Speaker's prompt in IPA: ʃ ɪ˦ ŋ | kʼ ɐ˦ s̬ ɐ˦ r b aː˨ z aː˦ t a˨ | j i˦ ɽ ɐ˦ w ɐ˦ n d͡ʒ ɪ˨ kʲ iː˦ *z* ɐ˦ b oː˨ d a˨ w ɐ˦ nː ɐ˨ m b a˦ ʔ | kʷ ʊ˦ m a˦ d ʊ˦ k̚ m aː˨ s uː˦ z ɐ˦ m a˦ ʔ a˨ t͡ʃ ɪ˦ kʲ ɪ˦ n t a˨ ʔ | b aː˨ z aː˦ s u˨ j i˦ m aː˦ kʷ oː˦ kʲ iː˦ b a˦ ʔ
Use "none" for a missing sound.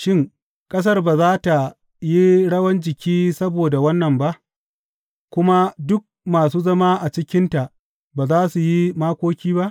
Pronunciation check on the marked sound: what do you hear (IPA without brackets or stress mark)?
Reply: s